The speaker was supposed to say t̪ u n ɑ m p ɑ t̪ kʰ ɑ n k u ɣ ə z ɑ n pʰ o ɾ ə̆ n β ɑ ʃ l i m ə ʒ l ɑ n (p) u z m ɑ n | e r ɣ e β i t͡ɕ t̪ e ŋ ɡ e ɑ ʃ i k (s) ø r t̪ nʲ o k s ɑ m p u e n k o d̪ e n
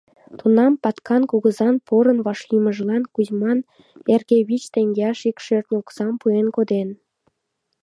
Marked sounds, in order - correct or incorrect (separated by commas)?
incorrect, incorrect